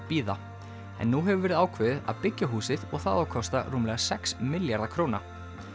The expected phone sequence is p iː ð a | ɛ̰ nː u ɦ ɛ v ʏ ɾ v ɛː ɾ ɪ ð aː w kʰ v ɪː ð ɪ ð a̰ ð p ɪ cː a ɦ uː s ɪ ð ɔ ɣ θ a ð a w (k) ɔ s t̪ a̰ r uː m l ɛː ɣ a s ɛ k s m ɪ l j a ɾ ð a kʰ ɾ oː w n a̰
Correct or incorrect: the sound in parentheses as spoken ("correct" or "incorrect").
incorrect